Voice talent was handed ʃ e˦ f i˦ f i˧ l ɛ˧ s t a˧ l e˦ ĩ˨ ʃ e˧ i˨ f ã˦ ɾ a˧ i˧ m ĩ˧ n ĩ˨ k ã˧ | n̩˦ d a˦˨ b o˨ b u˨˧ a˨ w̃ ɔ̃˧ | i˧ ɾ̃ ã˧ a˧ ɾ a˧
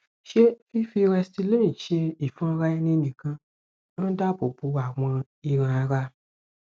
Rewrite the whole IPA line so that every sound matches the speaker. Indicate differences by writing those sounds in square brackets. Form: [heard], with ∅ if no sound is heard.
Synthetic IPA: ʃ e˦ f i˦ f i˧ [ɾ] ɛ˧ s t [i˧] l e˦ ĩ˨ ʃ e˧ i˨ f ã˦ ɾ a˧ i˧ [n] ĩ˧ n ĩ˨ k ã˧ | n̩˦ d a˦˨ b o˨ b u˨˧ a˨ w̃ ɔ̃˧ | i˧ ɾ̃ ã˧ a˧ ɾ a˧